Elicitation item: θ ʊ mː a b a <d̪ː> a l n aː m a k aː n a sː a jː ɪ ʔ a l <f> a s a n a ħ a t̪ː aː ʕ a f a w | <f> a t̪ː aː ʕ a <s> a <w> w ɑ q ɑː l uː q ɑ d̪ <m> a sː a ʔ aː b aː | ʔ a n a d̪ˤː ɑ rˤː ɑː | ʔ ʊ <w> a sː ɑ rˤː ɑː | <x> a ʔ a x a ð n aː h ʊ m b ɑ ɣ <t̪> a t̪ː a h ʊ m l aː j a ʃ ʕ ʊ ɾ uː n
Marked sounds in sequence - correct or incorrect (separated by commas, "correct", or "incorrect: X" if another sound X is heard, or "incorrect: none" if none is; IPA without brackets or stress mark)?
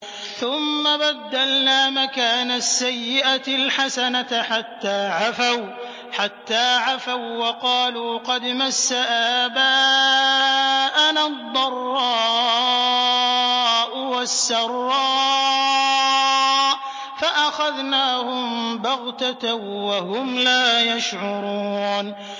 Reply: correct, incorrect: ħ, incorrect: ħ, incorrect: f, correct, correct, correct, incorrect: f, correct